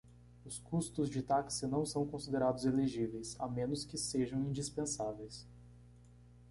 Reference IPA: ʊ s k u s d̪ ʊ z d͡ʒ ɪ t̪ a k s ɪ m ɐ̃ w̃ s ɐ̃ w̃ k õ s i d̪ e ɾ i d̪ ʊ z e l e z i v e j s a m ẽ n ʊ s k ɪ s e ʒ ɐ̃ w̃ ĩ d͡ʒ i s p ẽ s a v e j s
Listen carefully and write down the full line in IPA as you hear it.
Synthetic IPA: ʊ s k u s t̪ ʊ z d͡ʒ ɪ t̪ a k s ɪ n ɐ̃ w̃ s ɐ̃ w̃ k õ s i d̪ e ɾ a d̪ ʊ z e l e ʒ i v e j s a m ẽ n ʊ s k ɪ s e ʒ ɐ̃ w̃ ĩ d͡ʒ i s p ẽ s a v e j s